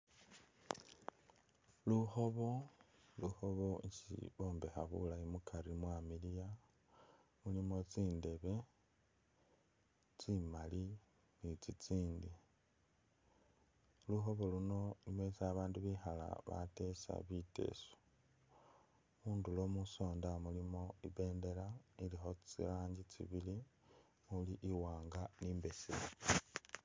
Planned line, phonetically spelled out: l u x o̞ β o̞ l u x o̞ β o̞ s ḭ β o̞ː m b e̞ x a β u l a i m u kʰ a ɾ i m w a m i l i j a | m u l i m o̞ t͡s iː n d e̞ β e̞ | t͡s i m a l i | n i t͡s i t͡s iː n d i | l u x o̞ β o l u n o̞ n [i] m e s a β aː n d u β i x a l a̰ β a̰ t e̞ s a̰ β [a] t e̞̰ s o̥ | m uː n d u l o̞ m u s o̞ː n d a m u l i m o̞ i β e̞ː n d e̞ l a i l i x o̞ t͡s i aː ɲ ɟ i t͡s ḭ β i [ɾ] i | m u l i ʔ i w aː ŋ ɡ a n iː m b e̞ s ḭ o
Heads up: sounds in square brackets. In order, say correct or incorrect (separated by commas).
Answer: correct, incorrect, incorrect